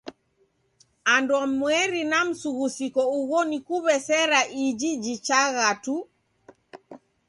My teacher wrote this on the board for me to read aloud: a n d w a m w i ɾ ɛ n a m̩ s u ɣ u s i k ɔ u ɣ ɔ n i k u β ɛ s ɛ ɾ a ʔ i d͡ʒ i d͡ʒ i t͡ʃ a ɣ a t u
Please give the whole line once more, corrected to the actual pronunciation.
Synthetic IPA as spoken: a n d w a m w ɛ ɾ i n a m̩ s u ɣ u s i k ɔ u ɣ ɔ n i k u β ɛ s ɛ ɾ a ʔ i d͡ʒ i d͡ʒ i t͡ʃ a ɣ a t u